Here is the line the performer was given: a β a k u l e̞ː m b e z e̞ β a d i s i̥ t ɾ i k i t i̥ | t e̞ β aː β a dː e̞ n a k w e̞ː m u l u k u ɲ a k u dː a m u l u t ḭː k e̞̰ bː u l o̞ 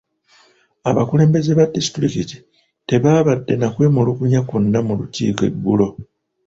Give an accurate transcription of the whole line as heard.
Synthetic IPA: a β a k u l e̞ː m b e z e̞ β a d i s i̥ t ɾ i k i t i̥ | t e̞ β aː β a dː e̞ n a k w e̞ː m u l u k u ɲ a k u nː a m u l u c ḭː k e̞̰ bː u l o̞

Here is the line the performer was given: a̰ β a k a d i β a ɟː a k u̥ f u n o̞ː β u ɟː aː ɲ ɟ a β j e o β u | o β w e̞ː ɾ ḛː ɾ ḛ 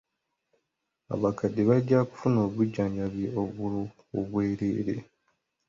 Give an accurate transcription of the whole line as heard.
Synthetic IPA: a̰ β a k a d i β a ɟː a k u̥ f u n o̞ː β u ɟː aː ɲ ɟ a β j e o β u | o β w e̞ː ɾ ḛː ɾ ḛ

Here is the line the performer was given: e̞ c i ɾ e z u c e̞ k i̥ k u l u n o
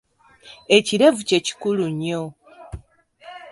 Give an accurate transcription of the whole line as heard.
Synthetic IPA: e̞ c i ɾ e v u c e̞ c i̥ k u l u ɲ o

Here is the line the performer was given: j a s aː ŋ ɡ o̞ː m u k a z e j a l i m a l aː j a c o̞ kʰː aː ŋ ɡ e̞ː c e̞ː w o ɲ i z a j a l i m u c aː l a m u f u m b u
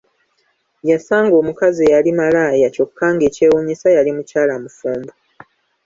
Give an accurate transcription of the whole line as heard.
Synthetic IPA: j a s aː ŋ ɡ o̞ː m u k a z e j a l i m a l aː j a c o̞ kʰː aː ŋ ɡ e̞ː c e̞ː w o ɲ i s a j a l i m u c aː l a m u f uː m b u

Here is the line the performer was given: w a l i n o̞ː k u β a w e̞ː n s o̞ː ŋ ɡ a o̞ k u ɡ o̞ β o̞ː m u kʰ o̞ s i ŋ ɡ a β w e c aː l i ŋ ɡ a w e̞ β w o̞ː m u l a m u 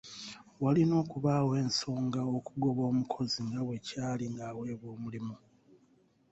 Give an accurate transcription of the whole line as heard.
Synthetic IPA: w a l i n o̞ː k u β a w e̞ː n s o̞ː ŋ ɡ a o̞ k u ɡ o̞ β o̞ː m u kʰ o̞ z i ŋ ɡ a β w e c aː l i ŋ ɡ a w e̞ β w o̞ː m u l i m u

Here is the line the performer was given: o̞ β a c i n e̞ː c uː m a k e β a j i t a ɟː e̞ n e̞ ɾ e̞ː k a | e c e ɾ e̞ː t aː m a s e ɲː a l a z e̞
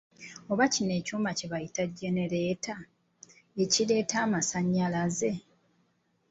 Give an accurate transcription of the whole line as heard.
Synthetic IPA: o̞ β a c i n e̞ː c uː m a c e β a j i t a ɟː e̞ n e̞ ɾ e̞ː t a | e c i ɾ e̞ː t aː m a s a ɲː a l a z e̞

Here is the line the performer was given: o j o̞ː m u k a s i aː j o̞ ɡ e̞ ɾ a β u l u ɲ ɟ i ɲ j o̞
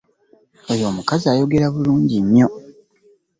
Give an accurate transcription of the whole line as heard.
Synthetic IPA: o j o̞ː m u k a z i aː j o̞ ɡ e̞ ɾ a β u l uː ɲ ɟ i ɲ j o̞

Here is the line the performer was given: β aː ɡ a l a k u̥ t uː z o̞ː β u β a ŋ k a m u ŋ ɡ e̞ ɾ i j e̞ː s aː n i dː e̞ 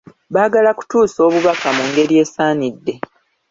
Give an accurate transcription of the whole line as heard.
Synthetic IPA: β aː ɡ a l a k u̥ t uː s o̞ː β u β a k a m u ŋ ɡ e̞ ɾ i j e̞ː s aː n i dː e̞

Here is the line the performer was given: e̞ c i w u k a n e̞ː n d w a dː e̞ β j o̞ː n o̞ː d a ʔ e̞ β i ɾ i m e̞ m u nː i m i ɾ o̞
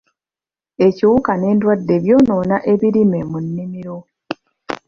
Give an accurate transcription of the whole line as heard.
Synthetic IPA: e̞ c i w u k a n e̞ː n d w a dː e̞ β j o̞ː n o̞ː n a ʔ e̞ β i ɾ i m e̞ m u nː i m i ɾ o̞

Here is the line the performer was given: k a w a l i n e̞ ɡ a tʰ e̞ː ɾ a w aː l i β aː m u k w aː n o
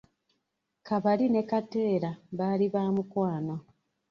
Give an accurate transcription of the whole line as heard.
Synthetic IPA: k a β a l i n e̞ k a t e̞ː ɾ a β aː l i β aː m u k w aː n o

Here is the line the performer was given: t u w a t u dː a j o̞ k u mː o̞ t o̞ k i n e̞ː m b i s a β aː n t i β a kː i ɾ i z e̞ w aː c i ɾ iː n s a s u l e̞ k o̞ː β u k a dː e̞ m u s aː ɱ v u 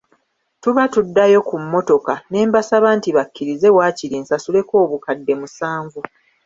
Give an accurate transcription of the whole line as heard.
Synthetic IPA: t u β a t u dː a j o̞ k u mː o̞ t o̞ k a n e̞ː m b a s a β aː n t i β a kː i ɾ i z e̞ w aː c i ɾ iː n s a s u l e̞ k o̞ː β u k a dː e̞ m u s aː ɱ v u

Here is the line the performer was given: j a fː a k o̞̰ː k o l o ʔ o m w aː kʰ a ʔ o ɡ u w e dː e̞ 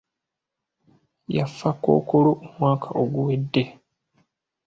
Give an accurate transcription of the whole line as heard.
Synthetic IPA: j a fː a k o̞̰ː k o l o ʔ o m w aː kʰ a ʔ o ɡ u w e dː e̞

